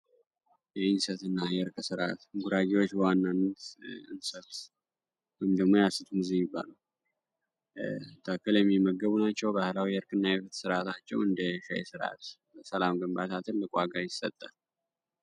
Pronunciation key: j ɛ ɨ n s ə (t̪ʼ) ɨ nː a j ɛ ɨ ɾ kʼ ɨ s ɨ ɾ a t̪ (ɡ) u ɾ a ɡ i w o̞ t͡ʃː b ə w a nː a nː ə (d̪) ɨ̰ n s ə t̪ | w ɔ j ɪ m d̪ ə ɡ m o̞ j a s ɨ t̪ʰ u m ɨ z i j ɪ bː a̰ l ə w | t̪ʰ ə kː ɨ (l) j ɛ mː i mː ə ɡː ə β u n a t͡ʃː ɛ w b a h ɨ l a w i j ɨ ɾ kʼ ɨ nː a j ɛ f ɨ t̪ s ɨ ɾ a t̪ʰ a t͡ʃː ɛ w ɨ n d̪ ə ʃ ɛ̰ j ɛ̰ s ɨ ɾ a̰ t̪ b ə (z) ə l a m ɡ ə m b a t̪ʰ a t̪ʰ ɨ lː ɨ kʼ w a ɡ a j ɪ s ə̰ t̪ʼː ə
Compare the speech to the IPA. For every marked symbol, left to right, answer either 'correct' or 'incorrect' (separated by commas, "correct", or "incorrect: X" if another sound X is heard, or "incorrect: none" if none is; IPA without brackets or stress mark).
incorrect: t̪, correct, incorrect: t̪, correct, incorrect: s